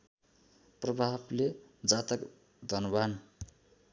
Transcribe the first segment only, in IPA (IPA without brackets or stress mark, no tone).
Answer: p